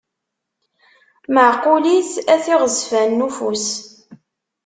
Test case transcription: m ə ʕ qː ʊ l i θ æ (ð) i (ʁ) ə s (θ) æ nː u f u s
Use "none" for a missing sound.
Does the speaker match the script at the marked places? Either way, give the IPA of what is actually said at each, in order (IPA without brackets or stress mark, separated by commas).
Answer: θ, ʁ, f